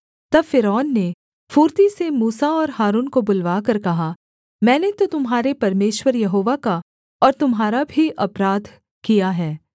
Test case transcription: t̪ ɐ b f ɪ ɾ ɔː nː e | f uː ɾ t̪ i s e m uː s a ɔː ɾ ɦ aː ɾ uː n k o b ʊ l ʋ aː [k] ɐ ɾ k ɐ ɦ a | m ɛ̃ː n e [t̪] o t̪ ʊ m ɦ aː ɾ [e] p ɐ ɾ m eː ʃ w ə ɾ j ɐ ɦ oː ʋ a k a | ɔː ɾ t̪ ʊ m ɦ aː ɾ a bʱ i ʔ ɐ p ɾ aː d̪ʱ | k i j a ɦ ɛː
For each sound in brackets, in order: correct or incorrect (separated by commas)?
correct, correct, correct